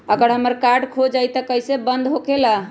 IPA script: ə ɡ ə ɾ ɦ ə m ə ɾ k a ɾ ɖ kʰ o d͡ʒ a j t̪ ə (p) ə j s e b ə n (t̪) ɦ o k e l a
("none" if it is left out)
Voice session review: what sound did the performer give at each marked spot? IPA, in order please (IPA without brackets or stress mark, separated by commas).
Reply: k, d̪